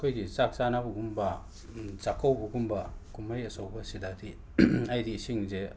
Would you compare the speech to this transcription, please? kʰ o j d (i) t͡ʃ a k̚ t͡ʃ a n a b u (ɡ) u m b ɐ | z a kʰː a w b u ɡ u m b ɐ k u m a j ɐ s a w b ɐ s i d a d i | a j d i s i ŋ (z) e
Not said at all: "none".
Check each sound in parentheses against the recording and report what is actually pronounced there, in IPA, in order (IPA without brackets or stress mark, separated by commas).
i, ɡ, z